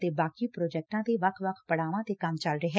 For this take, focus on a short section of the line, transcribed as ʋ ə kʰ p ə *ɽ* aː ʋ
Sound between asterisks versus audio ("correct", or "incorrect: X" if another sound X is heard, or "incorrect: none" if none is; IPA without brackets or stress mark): correct